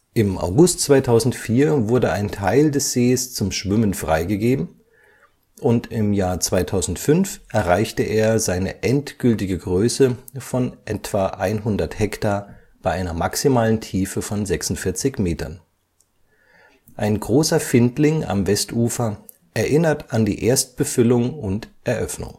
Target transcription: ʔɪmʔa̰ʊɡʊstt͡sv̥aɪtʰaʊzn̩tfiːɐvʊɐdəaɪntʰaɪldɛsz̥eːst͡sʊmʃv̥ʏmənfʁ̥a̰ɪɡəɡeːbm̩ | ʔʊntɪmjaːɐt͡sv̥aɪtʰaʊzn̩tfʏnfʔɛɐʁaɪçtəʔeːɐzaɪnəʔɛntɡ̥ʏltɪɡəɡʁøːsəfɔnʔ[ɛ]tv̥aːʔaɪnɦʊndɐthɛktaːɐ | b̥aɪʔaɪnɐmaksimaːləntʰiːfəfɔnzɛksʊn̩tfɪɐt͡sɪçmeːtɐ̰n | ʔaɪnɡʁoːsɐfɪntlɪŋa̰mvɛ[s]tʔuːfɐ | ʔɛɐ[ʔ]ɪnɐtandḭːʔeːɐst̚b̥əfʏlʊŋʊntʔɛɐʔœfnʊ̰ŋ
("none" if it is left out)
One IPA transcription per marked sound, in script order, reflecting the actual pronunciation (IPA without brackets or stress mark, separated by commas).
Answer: ɛ, s, ʔ